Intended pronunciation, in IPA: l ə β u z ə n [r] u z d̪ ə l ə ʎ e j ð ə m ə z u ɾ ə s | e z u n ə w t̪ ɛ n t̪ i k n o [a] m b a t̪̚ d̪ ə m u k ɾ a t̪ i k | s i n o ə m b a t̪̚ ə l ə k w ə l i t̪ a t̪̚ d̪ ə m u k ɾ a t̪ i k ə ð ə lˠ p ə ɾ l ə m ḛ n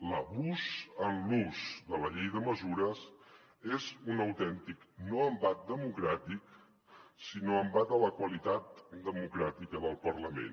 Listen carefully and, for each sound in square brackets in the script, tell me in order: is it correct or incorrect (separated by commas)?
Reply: incorrect, incorrect